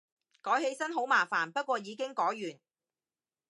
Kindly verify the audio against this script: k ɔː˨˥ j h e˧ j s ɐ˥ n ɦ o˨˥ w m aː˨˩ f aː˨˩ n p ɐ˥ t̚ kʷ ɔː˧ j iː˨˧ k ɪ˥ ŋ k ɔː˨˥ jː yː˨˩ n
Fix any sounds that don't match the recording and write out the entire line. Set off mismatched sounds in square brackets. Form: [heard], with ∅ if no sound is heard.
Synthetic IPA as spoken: k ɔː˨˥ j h e˧ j s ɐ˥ n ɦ o˨˥ w m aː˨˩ f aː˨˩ n p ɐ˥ t̚ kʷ ɔː˧ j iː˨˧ k ɪ˥ ŋ k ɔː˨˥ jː yː˨˩ n